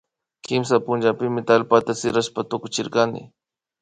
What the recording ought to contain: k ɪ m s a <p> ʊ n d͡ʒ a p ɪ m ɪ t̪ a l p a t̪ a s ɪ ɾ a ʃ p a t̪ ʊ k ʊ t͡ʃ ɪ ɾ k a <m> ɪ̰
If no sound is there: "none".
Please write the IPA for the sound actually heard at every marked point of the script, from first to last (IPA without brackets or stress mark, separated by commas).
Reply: p, n